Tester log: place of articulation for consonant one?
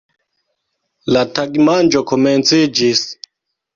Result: alveolar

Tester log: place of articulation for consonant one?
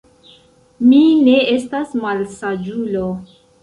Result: labial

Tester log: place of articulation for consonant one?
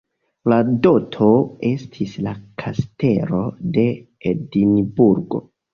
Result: alveolar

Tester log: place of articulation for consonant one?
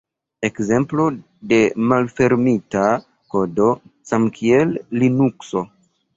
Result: velar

